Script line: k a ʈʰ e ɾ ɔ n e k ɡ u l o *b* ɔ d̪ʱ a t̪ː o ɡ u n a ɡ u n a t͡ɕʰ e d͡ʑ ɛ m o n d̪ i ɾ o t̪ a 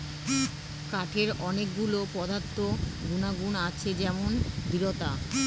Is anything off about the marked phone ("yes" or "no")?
yes